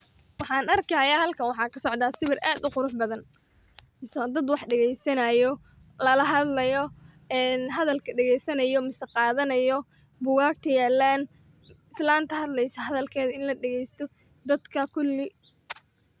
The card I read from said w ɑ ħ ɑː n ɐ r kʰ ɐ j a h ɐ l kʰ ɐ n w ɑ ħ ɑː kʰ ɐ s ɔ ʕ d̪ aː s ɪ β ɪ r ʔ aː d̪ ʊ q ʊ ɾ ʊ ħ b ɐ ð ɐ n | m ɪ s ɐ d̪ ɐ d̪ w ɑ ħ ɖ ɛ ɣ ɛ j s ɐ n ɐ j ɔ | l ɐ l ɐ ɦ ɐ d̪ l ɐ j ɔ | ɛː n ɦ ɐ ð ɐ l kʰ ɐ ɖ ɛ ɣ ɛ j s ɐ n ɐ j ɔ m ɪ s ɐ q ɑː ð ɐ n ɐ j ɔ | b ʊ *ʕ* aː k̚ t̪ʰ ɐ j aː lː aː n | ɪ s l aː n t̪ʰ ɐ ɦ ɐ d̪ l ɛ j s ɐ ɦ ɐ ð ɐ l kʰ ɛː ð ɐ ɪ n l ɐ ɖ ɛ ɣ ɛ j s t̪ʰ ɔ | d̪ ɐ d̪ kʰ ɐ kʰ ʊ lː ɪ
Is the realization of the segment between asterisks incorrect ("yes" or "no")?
yes